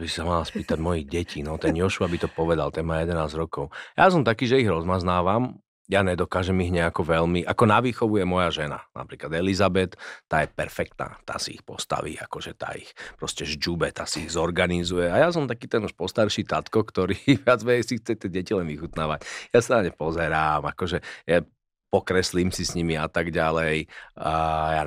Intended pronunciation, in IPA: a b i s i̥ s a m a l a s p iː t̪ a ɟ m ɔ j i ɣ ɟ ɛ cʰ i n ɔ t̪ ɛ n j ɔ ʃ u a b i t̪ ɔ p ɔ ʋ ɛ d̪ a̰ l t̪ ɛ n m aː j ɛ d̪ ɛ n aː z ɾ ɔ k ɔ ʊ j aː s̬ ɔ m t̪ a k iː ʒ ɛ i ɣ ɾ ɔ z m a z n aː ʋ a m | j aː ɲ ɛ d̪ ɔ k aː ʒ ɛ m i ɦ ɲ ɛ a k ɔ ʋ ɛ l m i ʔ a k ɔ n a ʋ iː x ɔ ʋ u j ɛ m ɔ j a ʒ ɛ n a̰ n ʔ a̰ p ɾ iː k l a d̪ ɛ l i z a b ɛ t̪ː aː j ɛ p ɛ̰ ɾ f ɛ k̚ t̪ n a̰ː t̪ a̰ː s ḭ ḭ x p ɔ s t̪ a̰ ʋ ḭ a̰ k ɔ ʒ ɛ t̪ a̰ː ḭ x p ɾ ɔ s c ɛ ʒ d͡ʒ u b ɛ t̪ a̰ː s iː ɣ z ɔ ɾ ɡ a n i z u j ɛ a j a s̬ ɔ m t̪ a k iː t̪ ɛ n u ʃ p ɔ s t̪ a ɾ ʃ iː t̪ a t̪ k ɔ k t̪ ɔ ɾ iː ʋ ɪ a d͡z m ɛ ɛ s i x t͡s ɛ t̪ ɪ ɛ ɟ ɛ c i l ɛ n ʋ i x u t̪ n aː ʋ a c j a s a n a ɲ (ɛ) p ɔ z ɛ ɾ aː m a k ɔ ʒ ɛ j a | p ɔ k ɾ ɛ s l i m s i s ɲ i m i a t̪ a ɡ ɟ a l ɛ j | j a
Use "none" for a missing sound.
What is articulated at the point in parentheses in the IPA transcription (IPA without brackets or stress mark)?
ɛ